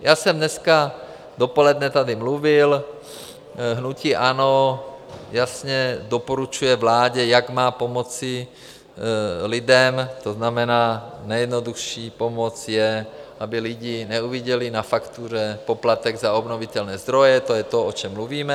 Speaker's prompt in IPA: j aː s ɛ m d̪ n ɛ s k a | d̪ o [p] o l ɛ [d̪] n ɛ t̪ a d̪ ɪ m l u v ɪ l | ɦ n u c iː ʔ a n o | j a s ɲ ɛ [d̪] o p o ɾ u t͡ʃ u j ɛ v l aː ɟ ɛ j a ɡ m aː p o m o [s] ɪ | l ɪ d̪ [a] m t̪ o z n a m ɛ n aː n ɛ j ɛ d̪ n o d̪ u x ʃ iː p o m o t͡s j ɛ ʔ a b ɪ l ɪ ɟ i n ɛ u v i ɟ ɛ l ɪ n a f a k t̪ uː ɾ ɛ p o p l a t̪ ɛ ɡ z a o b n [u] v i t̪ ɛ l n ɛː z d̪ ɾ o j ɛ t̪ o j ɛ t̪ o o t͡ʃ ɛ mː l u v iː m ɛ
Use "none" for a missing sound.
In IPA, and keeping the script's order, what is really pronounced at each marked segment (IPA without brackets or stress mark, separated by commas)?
p, d̪, d̪, t͡s, ɛ, o